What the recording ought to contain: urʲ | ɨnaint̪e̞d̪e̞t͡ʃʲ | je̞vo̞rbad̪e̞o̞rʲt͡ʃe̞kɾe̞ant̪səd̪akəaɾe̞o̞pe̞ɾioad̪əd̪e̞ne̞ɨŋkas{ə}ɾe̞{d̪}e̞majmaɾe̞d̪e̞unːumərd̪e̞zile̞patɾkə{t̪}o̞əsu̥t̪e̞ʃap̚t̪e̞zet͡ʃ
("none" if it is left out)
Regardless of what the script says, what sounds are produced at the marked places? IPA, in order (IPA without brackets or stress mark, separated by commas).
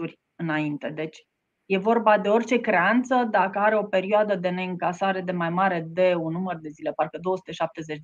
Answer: a, d̪, d̪